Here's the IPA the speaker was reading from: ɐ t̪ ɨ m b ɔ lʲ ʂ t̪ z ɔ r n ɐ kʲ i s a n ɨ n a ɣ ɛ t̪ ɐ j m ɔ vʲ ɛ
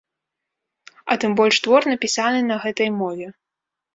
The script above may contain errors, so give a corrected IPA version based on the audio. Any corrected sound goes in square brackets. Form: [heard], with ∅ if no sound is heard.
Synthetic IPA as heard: ɐ t̪ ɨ m b ɔ lʲ ʂ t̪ [v] ɔ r n ɐ [pʲ] i s a n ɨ n [ɐ] ɣ ɛ t̪ ɐ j m ɔ vʲ ɛ